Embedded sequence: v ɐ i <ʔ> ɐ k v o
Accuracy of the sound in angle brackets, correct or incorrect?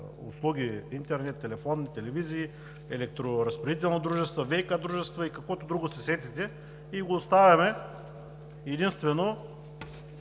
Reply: incorrect